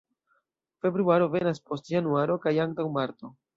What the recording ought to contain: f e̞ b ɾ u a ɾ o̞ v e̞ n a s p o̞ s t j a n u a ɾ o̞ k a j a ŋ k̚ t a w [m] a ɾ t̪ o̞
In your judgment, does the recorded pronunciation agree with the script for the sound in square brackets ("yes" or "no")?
yes